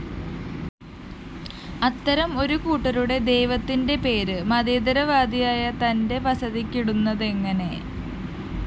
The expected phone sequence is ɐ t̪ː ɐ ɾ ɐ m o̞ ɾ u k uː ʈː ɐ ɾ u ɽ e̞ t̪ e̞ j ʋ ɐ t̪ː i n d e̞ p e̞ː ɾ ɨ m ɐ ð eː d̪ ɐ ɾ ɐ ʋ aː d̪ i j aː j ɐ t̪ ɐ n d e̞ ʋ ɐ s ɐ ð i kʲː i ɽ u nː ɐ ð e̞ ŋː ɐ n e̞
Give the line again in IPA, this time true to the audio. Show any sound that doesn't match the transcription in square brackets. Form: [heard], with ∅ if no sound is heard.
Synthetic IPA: ɐ t̪ː ɐ ɾ ɐ m o̞ ɾ u k uː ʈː ɐ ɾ u ɽ e̞ [d̪] e̞ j ʋ ɐ t̪ː i n d e̞ p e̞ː ɾ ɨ m ɐ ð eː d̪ ɐ ɾ ɐ ʋ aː d̪ i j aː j ɐ t̪ ɐ n d e̞ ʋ ɐ s ɐ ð i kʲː i ɽ u nː ɐ ð e̞ ŋː ɐ n e̞

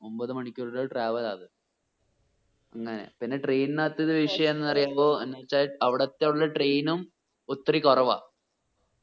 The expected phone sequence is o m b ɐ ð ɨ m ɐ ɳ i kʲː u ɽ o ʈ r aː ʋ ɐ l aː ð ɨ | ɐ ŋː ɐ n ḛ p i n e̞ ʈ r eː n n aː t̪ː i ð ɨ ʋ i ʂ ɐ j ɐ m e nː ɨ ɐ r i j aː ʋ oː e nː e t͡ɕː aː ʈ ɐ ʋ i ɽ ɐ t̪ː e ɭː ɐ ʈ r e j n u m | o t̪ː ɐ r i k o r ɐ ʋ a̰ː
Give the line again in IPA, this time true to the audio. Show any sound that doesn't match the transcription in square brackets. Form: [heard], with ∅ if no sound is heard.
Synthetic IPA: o m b ɐ ð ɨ m ɐ ɳ i kʲː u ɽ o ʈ r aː ʋ ɐ l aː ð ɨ | ɐ ŋː ɐ n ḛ p i [nː] e̞ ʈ r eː n n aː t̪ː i ð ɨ ʋ i ʂ ɐ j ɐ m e nː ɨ ɐ r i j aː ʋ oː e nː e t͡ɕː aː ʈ ɐ ʋ i ɽ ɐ t̪ː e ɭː ɐ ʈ r e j n u m | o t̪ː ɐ r i k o r ɐ ʋ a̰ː

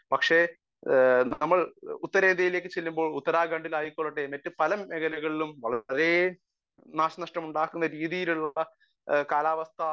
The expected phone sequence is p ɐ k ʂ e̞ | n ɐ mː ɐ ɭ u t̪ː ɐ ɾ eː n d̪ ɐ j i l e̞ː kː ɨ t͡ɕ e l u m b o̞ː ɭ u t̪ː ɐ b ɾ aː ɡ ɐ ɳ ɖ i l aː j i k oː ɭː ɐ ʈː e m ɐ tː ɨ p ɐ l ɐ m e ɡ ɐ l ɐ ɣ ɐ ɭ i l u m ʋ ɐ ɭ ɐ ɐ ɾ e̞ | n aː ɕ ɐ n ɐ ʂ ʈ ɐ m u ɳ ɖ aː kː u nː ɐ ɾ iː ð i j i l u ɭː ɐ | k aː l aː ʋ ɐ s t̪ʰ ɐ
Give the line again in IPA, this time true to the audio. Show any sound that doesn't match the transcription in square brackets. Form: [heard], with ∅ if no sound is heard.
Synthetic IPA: p ɐ k ʂ e̞ | n ɐ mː ɐ ɭ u t̪ː ɐ ɾ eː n d̪ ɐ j i l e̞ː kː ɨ t͡ɕ e [lː] u m b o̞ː ɭ u t̪ː ɐ [∅] ɾ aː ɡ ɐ ɳ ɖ i l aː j i k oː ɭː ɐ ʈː e m ɐ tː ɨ p ɐ l ɐ m e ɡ ɐ l ɐ ɣ ɐ ɭ i l u m ʋ ɐ ɭ ɐ ɐ ɾ e̞ | n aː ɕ ɐ n ɐ ʂ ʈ ɐ m u ɳ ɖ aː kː u nː ɐ ɾ iː ð i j i l u ɭː ɐ | k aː l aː ʋ ɐ s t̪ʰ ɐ

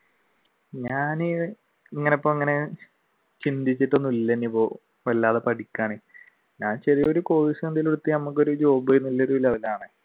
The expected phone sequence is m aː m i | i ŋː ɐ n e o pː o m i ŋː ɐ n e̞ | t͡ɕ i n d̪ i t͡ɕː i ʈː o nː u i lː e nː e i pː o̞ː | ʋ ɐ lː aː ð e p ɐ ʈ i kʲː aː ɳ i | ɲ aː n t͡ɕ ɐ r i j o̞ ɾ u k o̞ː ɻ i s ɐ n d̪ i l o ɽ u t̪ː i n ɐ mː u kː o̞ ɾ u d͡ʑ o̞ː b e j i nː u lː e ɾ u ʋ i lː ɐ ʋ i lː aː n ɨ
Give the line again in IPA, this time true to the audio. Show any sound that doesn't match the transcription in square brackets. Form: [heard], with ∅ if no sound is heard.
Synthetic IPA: [ɲ] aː [n] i | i ŋː ɐ n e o pː o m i ŋː ɐ n e̞ | t͡ɕ i n d̪ i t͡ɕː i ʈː o nː u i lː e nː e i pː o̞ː | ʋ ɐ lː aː ð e p ɐ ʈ i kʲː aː ɳ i | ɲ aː n t͡ɕ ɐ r i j o̞ ɾ u k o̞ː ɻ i s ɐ n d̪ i l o ɽ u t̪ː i n ɐ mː u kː o̞ ɾ u d͡ʑ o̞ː b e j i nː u lː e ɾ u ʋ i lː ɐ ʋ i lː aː [ɳ] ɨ

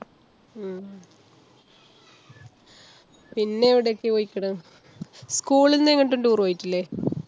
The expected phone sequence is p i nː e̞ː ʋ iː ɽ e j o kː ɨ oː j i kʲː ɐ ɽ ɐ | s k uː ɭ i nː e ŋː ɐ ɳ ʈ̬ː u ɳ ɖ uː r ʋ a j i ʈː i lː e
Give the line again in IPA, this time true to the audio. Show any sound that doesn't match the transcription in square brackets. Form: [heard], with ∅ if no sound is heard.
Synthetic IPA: p i nː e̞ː ʋ [i] ɽ e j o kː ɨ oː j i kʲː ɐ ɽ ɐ | s k uː ɭ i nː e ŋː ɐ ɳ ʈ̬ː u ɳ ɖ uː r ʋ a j i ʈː i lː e

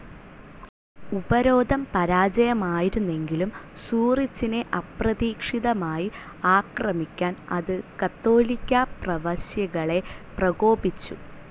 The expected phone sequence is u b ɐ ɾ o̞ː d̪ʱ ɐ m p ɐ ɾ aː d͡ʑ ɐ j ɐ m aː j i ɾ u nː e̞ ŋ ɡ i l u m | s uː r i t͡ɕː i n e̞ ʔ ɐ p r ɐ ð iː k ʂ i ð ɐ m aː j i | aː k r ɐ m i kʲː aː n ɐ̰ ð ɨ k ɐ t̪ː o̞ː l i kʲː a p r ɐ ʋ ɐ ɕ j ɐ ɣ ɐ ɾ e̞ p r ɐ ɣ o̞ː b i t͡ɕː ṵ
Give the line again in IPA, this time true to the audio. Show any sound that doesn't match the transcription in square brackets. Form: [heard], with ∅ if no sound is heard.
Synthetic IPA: u b ɐ ɾ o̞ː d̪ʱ ɐ m p ɐ ɾ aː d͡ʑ ɐ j ɐ m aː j i ɾ u nː e̞ ŋ ɡ i l u m | s uː r i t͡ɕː i n e̞ ʔ ɐ p r ɐ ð iː k ʂ i ð ɐ m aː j i | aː k r ɐ m i kʲː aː n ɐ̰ ð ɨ k ɐ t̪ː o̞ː l i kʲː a p r ɐ ʋ ɐ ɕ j ɐ ɣ ɐ [ɭ] e̞ p r ɐ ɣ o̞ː b i t͡ɕː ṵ

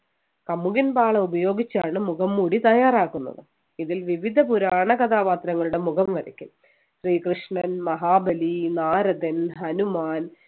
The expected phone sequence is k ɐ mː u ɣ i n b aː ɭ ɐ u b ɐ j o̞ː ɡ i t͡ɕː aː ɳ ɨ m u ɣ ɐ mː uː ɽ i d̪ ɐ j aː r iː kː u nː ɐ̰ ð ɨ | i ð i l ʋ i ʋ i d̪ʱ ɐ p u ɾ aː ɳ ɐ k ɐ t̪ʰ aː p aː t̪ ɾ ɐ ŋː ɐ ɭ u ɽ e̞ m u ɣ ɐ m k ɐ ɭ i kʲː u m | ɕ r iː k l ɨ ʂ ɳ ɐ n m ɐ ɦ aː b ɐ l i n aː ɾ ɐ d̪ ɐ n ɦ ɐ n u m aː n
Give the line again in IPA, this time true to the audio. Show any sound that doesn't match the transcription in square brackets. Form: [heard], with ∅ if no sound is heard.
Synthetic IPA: k ɐ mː u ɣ i n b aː ɭ ɐ u b ɐ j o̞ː ɡ i t͡ɕː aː ɳ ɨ m u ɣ ɐ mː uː ɽ i [t̪] ɐ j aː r [aː] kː u nː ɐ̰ ð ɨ | i ð i l ʋ i ʋ i d̪ʱ ɐ p u ɾ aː ɳ ɐ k ɐ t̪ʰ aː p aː t̪ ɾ ɐ ŋː ɐ ɭ u ɽ e̞ m u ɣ ɐ m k ɐ [ɾ] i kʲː u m | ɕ r iː k [r] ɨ ʂ ɳ ɐ n m ɐ ɦ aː b ɐ l i n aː ɾ ɐ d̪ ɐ n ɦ ɐ n u m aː n

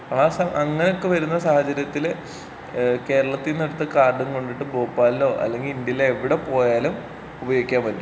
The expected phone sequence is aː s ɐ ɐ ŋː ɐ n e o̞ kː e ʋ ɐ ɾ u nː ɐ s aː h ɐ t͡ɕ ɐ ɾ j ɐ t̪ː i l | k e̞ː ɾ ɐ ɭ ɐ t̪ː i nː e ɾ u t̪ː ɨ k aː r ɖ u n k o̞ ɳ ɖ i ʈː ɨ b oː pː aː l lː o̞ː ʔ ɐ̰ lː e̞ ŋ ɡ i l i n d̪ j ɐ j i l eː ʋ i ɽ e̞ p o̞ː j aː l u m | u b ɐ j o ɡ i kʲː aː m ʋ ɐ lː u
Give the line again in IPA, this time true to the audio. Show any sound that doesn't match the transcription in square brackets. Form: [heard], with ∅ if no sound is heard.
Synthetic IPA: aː s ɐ ɐ ŋː ɐ n e o̞ kː e ʋ ɐ ɾ u nː ɐ s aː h ɐ t͡ɕ ɐ ɾ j ɐ t̪ː i l | k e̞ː ɾ ɐ ɭ ɐ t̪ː i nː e [ɽ] u t̪ː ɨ k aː r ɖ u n k o̞ ɳ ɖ i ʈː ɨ b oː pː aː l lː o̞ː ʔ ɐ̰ lː e̞ ŋ ɡ i l i n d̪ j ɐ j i l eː ʋ i ɽ e̞ p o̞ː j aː l u m | u b ɐ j o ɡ i kʲː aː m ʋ ɐ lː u

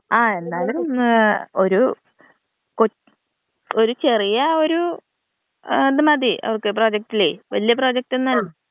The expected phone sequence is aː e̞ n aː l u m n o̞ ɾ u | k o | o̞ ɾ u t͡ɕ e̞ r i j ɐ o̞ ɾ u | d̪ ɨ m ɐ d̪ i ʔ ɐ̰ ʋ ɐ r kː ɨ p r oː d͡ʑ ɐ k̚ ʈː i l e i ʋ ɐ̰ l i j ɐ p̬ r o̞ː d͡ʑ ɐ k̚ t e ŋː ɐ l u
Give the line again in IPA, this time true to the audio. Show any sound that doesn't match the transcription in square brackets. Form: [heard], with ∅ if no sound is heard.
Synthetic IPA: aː e̞ [nː] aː l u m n o̞ ɾ u | k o | o̞ ɾ u t͡ɕ e̞ r i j ɐ o̞ ɾ u | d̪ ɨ m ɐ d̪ i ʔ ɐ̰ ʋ ɐ r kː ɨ p r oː d͡ʑ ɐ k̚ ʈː i l e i ʋ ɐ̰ l i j ɐ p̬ r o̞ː d͡ʑ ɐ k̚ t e [nː] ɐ l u

